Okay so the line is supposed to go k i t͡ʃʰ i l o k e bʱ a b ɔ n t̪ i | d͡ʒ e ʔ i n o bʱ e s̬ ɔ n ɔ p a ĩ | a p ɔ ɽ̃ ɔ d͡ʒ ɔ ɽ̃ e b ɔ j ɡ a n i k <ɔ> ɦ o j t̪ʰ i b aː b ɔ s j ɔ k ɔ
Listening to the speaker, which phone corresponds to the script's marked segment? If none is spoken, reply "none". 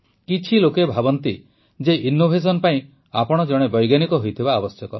ɔ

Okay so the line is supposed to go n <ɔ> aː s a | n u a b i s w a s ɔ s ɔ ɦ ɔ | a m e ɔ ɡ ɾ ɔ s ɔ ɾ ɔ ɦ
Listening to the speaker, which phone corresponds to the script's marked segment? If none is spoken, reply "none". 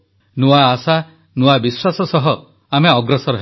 u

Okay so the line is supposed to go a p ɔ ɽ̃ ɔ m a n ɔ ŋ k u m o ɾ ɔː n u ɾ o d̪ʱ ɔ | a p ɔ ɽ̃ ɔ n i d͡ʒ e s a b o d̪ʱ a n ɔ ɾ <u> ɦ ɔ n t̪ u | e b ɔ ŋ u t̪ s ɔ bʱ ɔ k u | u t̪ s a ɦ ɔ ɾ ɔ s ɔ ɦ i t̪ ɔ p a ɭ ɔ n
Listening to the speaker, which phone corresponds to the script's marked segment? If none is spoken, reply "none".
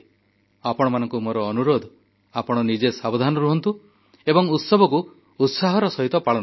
u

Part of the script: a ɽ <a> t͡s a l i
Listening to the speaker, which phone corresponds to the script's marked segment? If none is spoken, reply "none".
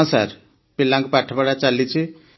a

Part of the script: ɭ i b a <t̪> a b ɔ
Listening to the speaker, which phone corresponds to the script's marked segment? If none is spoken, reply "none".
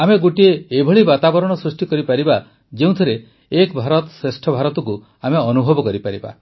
t̪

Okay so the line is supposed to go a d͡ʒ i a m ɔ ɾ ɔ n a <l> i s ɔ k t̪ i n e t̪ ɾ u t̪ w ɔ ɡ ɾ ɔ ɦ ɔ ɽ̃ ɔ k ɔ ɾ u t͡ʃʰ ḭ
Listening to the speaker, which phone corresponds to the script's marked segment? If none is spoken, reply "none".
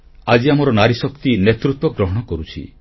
ɾ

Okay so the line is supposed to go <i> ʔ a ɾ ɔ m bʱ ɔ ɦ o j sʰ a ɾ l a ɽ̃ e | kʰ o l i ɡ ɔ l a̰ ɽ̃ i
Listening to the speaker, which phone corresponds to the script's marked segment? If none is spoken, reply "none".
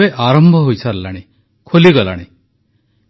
e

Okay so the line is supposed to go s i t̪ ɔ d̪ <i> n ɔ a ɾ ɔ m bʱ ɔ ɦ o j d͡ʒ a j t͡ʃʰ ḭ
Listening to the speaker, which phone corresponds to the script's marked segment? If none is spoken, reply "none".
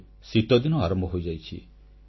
i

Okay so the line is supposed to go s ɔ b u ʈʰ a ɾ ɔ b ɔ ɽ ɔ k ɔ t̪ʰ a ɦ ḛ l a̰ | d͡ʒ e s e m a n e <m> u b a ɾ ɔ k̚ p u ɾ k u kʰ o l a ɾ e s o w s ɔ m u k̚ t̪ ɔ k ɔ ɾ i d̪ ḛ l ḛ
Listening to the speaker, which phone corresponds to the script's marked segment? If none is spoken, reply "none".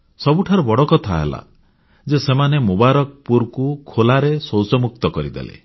m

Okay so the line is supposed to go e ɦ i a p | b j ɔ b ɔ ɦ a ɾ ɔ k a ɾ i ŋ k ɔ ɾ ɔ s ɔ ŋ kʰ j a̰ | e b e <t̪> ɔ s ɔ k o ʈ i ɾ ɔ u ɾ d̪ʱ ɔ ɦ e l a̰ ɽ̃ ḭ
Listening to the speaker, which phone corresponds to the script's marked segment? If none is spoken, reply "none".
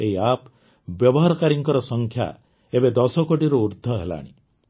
d̪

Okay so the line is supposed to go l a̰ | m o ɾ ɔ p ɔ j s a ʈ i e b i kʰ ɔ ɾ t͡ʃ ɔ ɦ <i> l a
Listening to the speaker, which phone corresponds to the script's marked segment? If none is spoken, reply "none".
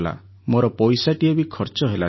e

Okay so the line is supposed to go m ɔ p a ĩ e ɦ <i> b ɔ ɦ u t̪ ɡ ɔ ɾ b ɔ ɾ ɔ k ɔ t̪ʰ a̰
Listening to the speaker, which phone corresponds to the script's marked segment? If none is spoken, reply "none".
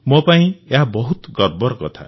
a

